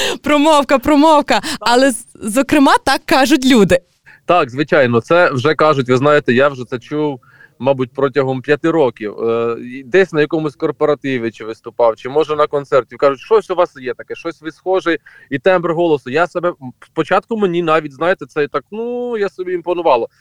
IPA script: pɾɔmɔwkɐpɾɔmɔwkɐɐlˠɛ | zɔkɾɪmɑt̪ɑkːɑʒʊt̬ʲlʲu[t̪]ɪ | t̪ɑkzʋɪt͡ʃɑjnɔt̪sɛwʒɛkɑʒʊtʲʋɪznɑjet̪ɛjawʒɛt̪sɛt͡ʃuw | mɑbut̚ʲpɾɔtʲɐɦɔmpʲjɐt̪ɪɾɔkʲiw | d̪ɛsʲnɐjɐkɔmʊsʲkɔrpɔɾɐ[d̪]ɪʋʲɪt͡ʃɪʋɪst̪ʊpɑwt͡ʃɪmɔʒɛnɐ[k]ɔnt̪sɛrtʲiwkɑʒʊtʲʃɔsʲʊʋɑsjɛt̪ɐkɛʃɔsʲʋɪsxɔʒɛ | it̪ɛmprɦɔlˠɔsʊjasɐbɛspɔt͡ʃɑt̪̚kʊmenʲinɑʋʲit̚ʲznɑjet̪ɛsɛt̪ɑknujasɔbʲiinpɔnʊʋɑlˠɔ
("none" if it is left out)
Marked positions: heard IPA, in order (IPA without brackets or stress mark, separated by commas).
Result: d̪, t̪, k